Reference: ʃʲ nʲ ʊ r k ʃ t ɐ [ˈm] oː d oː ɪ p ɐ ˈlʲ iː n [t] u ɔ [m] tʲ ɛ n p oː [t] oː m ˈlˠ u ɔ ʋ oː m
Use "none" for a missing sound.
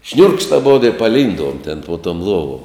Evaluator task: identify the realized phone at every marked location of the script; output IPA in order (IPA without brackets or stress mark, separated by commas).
b, d, m, t